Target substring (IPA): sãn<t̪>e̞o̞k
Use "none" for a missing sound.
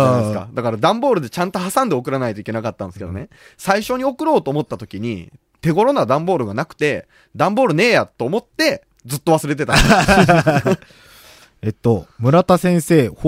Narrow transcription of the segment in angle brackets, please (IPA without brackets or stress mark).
d̪